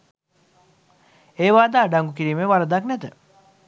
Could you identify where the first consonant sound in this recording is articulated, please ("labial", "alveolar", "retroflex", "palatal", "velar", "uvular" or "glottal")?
labial